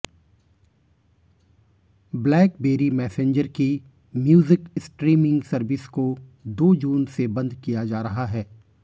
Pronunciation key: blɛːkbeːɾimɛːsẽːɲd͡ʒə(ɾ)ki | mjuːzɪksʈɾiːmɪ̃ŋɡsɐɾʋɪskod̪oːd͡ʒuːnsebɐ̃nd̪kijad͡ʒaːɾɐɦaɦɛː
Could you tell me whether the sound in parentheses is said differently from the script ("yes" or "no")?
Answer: no